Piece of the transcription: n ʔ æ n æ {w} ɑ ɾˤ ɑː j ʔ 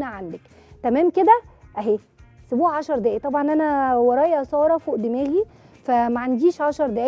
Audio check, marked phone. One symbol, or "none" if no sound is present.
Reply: w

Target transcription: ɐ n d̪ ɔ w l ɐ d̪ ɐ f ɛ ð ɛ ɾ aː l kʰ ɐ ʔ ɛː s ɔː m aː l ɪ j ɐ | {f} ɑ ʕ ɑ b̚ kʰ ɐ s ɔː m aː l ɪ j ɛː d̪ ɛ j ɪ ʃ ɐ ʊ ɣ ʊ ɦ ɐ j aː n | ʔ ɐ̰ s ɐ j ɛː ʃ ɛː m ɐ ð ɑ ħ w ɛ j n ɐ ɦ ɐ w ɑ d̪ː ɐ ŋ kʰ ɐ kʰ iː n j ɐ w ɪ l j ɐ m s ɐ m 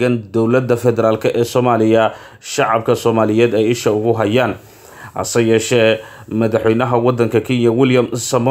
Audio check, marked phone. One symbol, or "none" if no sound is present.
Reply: ʃ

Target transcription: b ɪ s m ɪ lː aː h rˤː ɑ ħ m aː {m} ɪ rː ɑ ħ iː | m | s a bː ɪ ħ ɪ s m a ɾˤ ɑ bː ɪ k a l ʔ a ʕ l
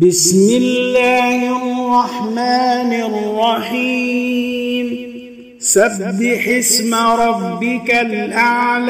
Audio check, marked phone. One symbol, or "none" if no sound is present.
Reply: n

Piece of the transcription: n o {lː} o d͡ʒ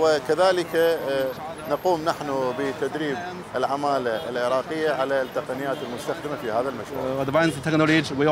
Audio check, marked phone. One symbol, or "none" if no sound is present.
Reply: l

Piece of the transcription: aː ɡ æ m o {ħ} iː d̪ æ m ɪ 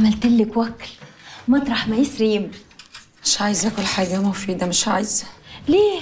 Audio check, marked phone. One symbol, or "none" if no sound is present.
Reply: f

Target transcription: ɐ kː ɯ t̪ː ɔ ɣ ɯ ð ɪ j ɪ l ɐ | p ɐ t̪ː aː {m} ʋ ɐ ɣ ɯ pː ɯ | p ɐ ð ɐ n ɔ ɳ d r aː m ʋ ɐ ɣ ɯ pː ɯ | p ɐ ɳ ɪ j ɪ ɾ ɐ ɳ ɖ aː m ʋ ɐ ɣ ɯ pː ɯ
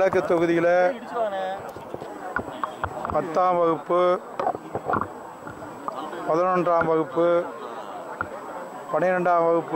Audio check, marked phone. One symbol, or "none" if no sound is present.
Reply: m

